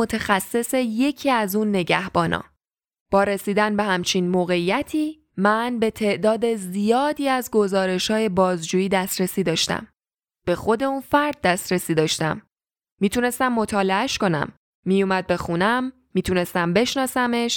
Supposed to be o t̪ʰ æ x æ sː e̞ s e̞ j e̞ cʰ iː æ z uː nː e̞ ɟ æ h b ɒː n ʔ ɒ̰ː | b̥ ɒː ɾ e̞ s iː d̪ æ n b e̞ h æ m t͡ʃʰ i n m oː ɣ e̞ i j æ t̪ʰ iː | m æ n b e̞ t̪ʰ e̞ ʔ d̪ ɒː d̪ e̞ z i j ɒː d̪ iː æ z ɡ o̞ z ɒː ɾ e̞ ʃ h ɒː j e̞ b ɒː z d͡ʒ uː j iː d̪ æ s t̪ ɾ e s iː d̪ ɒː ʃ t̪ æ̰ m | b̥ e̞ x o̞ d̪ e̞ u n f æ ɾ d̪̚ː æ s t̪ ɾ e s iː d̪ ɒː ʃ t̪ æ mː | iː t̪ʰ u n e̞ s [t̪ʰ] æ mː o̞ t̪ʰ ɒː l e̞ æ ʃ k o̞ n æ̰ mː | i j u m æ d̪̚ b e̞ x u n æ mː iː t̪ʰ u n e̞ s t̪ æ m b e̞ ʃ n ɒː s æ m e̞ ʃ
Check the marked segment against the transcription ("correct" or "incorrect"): incorrect